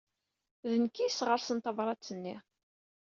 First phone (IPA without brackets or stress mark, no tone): ð